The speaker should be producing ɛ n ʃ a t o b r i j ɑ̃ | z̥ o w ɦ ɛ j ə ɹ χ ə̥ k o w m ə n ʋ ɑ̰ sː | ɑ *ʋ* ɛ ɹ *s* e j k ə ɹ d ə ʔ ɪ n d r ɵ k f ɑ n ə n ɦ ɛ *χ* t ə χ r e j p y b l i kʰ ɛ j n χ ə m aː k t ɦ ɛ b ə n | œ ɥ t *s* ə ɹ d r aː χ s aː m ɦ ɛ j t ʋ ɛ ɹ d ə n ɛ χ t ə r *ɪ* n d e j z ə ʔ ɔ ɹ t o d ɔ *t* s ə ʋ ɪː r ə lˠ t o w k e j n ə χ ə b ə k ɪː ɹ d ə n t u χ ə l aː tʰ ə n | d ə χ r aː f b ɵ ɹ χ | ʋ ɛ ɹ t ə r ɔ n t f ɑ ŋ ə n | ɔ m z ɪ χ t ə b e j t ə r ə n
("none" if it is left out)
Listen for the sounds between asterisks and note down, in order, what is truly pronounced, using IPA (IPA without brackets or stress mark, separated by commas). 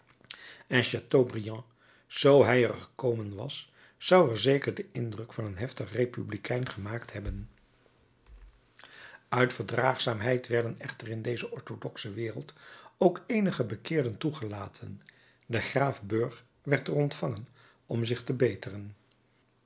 w, z, f, f, ɪ, k